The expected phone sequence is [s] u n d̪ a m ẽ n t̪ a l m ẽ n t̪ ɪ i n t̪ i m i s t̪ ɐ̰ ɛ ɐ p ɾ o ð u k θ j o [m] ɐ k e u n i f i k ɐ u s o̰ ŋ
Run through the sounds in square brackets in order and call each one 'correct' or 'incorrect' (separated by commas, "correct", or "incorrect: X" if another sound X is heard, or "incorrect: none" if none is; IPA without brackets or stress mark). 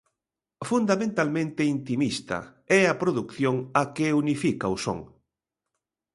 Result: incorrect: f, incorrect: ŋ